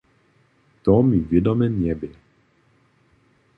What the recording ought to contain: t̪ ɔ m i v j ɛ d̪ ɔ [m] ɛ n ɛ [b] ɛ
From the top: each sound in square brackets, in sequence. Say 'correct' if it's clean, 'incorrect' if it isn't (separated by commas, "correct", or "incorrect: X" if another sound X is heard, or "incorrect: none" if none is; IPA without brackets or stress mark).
correct, correct